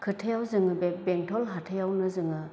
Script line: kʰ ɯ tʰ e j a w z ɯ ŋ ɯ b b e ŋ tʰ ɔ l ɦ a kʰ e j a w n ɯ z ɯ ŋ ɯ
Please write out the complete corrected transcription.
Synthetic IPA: kʰ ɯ tʰ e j a w z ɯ ŋ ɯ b b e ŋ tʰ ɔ l ɦ a tʰ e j a w n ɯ z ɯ ŋ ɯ